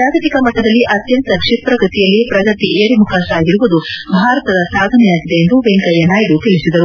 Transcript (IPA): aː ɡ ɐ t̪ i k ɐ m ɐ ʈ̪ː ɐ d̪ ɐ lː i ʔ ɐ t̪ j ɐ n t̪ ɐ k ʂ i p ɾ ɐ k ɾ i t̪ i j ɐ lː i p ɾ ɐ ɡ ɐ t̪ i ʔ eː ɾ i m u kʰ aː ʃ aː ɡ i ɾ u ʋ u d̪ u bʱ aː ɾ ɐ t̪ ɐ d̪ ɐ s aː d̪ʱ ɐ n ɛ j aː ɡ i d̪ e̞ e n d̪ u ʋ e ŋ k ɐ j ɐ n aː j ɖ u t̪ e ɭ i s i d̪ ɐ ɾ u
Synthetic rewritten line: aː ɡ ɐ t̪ i k ɐ m ɐ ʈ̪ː ɐ d̪ ɐ lː i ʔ ɐ t̪ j ɐ n t̪ ɐ k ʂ i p ɾ ɐ k ɾ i t̪ i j ɐ lː i p ɾ ɐ ɡ ɐ t̪ i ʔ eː ɾ i m u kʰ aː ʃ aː ɡ i ɾ u ʋ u d̪ u bʱ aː ɾ ɐ t̪ ɐ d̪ ɐ s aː d̪ʱ ɐ n ɛ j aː ɡ i d̪ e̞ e n d̪ u ʋ e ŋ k ɐ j ɐ n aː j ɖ u t̪ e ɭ i s i d̪ ɐ ɾ u